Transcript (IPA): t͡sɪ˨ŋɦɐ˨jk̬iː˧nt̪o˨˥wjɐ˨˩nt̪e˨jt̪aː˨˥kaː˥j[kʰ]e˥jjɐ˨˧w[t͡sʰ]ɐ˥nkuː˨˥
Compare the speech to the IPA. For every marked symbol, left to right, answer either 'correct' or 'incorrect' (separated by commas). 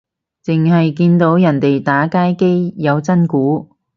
incorrect, incorrect